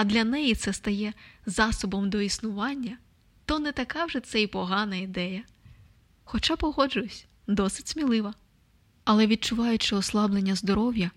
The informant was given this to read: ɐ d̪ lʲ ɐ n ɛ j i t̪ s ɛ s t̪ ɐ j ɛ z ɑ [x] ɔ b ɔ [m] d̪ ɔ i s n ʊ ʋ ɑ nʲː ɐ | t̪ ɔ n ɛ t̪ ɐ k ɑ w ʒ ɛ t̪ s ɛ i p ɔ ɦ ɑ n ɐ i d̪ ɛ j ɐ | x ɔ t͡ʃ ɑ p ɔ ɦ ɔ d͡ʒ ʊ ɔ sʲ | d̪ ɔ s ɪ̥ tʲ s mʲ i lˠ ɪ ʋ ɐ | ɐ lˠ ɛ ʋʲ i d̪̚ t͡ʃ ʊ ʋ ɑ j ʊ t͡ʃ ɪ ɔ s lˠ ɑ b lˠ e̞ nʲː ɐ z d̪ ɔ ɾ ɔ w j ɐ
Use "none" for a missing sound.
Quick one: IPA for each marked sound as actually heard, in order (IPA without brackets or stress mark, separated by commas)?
s, m